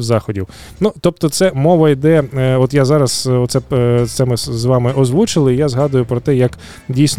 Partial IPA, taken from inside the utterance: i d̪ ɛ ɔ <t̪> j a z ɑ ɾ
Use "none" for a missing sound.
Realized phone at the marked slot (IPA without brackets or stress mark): t̪